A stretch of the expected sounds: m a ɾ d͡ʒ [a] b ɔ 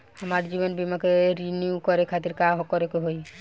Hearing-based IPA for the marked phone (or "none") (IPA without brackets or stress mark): i